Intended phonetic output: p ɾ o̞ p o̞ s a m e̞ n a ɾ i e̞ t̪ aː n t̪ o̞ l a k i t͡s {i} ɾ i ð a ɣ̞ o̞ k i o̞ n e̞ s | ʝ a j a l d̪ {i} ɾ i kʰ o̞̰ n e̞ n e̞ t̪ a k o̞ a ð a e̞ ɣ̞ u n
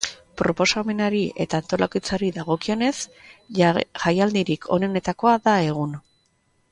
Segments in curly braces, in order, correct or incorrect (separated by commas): incorrect, correct